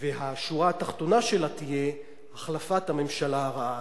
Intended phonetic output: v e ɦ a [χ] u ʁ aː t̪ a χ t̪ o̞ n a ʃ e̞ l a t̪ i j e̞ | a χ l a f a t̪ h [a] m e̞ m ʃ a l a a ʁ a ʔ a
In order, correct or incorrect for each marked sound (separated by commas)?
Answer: incorrect, correct